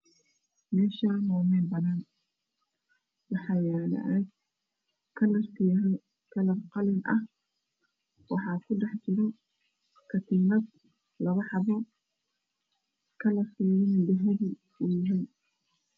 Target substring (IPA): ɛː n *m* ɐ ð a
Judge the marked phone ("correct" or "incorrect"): incorrect